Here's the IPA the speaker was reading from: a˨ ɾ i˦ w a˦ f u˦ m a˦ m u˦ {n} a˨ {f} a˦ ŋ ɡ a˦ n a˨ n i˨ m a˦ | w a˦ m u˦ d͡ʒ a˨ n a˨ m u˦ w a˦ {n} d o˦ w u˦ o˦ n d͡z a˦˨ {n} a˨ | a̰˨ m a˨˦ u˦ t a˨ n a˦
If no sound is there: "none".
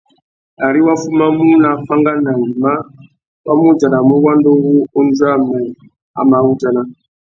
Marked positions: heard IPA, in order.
n, f, n, m

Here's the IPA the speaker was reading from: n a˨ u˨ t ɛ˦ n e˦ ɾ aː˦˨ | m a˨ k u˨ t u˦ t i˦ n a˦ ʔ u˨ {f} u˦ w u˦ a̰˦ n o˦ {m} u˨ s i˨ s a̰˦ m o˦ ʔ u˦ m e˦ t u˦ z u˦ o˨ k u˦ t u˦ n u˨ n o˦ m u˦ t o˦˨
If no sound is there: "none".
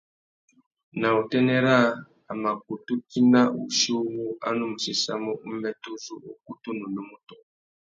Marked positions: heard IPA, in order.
ʃ, m

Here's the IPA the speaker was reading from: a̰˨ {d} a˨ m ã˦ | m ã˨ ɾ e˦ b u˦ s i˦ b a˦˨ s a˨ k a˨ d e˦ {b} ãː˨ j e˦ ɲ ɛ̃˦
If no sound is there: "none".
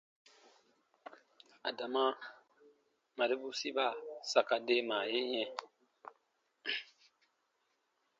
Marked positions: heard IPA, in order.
d, m

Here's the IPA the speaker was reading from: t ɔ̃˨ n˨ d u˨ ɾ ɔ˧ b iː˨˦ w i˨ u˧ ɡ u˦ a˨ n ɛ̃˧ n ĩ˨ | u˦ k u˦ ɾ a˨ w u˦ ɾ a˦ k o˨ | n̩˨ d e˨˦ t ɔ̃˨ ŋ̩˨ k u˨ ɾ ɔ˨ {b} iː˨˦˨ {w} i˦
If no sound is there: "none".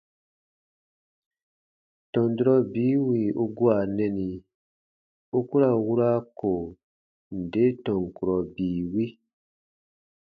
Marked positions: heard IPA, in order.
b, w

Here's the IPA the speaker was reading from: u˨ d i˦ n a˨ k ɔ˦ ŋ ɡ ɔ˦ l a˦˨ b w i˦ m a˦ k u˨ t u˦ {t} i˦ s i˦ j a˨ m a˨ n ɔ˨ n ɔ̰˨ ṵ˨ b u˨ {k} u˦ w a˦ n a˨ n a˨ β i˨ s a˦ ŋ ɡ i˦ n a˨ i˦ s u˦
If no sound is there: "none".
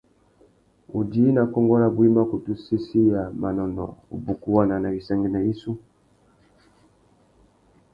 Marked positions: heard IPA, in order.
s, k

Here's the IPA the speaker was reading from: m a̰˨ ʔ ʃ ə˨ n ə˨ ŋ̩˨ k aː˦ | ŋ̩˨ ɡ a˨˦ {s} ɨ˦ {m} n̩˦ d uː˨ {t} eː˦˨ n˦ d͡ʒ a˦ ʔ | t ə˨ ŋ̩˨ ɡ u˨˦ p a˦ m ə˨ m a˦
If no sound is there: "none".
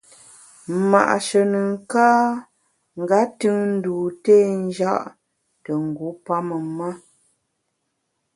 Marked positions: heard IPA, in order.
t, ŋ, t

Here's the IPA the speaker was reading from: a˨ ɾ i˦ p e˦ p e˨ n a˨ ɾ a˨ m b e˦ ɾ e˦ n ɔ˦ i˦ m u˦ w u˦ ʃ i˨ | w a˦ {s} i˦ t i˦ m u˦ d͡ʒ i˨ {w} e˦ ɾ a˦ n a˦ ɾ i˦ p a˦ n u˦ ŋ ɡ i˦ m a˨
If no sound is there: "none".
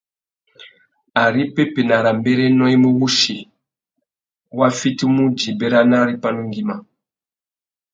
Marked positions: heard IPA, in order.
f, b

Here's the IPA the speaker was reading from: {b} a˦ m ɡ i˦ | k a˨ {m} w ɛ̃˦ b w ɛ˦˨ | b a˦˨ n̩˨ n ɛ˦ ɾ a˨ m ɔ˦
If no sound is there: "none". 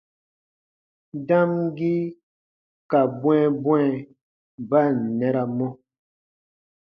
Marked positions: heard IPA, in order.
d, b

